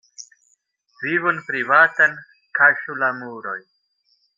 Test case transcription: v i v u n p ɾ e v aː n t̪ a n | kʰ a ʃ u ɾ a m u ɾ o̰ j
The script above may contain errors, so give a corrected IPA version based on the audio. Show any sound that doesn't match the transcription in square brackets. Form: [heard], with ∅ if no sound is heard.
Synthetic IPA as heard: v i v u n p ɾ [i] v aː [∅] t̪ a n | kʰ a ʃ u [l] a m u ɾ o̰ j

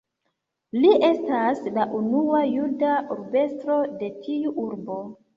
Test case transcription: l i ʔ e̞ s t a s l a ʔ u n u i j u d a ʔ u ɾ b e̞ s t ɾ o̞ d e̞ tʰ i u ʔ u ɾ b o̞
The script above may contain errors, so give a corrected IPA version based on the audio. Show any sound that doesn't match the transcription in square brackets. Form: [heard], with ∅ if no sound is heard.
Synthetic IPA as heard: l i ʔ e̞ s t a s l a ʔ u n u [a] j u d a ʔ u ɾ b e̞ s t ɾ o̞ d e̞ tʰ i u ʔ u ɾ b o̞

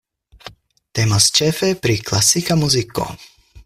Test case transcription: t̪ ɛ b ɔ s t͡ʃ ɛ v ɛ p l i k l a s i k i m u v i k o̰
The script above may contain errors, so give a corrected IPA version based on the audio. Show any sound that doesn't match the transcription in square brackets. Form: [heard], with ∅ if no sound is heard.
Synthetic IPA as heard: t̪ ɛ [m] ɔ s t͡ʃ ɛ [f] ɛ p [ɾ] i k l a s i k [a] m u [z] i k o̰

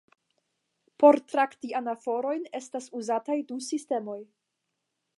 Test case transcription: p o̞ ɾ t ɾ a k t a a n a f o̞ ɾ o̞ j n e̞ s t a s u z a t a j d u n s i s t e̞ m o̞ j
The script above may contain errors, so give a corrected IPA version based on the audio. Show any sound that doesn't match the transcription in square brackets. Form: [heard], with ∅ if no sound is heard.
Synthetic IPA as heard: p o̞ ɾ t ɾ a k t [i] a n a f o̞ ɾ o̞ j n e̞ s t a s u z a t a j d u [∅] s i s t e̞ m o̞ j

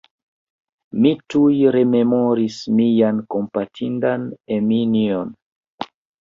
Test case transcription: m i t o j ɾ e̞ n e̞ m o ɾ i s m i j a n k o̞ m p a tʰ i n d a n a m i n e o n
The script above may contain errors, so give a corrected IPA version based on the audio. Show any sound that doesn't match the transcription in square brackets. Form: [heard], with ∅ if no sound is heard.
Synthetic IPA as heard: m i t [u] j ɾ e̞ [m] e̞ m o ɾ i s m i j a n k o̞ m p a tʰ i n d a n [e] m i n [i] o n

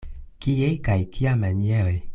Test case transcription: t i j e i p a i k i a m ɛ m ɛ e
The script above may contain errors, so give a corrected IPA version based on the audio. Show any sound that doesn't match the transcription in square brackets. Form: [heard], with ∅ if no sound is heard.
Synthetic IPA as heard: [k] i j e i [k] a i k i a m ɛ [ɲ] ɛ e

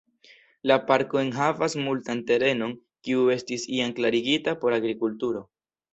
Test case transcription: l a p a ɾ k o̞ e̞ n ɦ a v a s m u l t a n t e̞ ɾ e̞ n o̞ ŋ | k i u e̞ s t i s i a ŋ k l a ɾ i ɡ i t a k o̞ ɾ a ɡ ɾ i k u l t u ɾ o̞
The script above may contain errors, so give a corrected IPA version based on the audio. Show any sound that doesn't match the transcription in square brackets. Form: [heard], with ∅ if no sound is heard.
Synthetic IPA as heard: l a p a ɾ k o̞ e̞ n ɦ a v a s m u l t a n t e̞ ɾ e̞ n o̞ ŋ | k i u e̞ s t i s i a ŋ k l a ɾ i ɡ i t a [p] o̞ ɾ a ɡ ɾ i k u l t u ɾ o̞

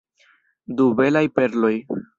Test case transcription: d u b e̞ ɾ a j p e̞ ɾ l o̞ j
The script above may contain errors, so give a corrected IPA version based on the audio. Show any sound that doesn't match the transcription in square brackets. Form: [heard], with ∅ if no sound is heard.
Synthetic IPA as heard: d u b e̞ [l] a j p e̞ ɾ l o̞ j

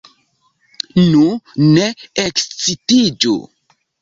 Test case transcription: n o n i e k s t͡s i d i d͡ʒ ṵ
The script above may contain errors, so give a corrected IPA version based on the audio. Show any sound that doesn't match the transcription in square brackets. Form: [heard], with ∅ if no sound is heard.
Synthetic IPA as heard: n [u] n [e] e k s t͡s i [t] i d͡ʒ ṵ

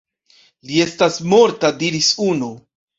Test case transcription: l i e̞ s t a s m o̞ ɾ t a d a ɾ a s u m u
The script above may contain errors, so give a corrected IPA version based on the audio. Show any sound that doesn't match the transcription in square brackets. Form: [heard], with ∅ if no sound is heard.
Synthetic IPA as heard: l i e̞ s t a s m o̞ ɾ t a d [i] ɾ [i] s u [n] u

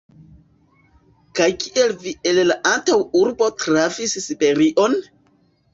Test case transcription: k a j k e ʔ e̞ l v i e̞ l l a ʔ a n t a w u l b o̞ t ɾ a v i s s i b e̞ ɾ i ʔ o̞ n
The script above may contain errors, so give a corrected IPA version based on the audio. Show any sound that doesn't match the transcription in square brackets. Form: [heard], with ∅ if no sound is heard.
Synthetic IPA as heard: k a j k [i] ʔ e̞ l v i e̞ l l a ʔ a n t a w u [ɾ] b o̞ t ɾ a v i s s i b e̞ ɾ i ʔ o̞ n

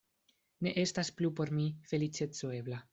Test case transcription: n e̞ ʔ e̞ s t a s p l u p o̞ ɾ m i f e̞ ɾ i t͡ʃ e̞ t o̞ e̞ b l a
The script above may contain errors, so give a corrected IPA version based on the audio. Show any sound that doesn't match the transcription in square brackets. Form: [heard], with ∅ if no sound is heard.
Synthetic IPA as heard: n e̞ ʔ e̞ s t a s p l u p o̞ ɾ m i f e̞ [l] i t͡ʃ e̞ [t͡s] o̞ e̞ b l a

